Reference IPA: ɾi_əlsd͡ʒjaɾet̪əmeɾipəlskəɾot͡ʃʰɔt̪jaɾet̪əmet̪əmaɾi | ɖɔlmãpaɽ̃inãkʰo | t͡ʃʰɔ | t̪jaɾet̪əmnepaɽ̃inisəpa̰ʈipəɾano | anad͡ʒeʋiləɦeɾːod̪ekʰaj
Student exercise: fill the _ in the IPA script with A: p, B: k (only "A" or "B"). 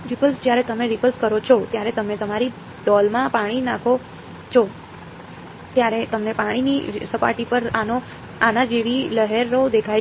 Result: A